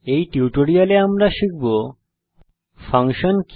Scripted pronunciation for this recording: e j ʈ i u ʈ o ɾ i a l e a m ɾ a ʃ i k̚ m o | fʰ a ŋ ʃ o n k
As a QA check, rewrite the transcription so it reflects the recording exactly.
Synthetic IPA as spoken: e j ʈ i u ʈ o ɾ i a l e a m ɾ a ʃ i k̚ b o | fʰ a ŋ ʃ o n k